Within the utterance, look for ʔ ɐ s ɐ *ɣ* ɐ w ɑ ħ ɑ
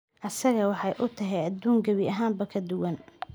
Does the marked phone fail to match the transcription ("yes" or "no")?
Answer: no